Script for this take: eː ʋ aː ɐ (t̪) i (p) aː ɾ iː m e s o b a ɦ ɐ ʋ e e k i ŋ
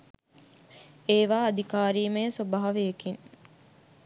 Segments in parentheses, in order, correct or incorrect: incorrect: d̪, incorrect: k

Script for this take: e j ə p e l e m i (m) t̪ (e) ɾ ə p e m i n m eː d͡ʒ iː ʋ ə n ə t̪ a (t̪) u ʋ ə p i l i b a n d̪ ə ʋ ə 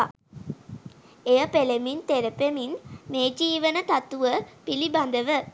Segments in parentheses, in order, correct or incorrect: incorrect: n, correct, correct

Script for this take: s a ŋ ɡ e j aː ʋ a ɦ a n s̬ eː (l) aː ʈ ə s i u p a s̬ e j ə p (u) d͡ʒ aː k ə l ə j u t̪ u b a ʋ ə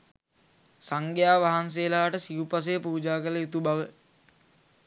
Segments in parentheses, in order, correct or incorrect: correct, incorrect: uː

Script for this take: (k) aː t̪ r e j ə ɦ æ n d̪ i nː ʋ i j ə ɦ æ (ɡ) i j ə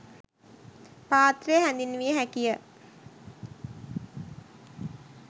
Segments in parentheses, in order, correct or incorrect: incorrect: p, incorrect: k

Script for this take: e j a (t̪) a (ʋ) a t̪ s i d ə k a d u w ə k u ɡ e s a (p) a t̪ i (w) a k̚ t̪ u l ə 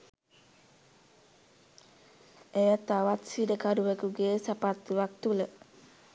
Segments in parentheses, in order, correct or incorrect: correct, incorrect: w, correct, correct

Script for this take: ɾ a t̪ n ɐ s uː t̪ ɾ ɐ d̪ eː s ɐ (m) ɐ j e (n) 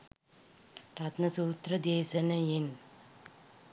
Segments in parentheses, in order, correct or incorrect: incorrect: n, correct

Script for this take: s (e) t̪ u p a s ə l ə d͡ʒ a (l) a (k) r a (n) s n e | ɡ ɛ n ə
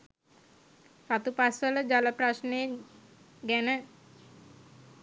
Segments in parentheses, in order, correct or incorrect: incorrect: a, correct, incorrect: p, incorrect: none

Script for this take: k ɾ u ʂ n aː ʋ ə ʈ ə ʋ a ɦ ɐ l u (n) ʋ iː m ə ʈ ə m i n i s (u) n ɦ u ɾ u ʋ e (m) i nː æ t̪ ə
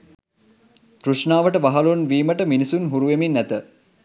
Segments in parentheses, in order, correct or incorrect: correct, correct, correct

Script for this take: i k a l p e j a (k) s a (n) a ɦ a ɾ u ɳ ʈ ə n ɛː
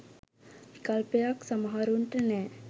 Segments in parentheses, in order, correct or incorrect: correct, incorrect: m

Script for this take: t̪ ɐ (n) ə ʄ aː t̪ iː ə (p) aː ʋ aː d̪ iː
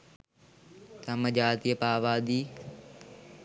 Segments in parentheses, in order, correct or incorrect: incorrect: m, correct

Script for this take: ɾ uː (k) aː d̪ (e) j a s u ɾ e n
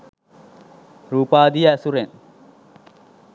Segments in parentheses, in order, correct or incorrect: incorrect: p, incorrect: i

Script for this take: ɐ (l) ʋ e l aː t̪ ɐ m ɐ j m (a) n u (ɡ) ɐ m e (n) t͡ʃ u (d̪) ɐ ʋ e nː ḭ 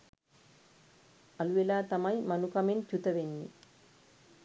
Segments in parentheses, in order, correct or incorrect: correct, incorrect: ɐ, incorrect: k, correct, incorrect: t̪

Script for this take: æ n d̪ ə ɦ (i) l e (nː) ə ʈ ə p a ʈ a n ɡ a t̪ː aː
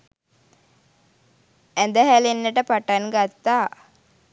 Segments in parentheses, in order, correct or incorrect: incorrect: æ, correct

